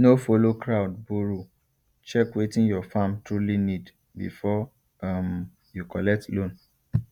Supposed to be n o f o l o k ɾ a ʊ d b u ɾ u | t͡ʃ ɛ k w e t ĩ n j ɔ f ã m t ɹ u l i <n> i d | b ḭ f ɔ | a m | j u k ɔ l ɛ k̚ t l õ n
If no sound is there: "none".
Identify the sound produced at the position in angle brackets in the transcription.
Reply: n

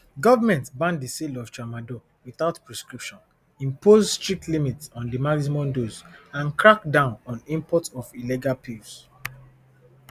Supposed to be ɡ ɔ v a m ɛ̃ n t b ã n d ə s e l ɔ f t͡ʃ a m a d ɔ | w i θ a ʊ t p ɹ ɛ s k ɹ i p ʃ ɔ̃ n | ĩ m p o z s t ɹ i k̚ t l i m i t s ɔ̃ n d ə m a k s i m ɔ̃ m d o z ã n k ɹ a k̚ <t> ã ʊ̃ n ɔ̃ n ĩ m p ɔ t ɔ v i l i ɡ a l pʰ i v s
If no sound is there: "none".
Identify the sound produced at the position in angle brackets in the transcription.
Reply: d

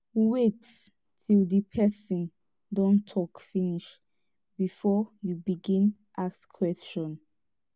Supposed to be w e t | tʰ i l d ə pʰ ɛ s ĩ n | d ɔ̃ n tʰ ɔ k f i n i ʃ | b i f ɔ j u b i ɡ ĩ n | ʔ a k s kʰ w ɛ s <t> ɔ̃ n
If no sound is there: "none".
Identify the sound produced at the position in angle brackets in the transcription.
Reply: t͡ʃ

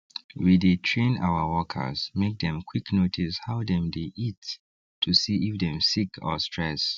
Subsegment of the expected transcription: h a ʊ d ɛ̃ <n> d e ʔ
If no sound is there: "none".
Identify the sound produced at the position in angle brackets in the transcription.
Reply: m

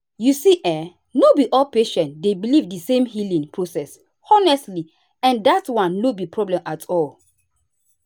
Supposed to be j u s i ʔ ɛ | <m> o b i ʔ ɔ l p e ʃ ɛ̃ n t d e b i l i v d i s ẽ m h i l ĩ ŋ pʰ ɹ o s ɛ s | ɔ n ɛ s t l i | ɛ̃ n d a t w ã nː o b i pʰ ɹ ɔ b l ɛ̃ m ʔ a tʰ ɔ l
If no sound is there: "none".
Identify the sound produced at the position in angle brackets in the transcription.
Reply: n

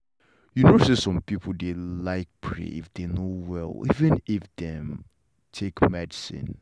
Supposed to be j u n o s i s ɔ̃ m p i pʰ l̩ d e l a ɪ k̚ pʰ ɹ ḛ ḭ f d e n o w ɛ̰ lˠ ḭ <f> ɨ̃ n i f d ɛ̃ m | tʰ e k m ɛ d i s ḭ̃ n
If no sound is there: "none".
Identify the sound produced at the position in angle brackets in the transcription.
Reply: v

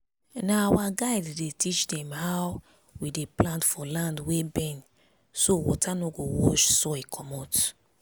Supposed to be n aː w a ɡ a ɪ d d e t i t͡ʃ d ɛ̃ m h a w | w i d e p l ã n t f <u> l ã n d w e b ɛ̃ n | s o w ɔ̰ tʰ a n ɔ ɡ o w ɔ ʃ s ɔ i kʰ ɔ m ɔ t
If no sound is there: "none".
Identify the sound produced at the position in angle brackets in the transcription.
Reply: ɔ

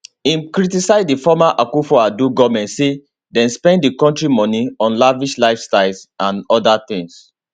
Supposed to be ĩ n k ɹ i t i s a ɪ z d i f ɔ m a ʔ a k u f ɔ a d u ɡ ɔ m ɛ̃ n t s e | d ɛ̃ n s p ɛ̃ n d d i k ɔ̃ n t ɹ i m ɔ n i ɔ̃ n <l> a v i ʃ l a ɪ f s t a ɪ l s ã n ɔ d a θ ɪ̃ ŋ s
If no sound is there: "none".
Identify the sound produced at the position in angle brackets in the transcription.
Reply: l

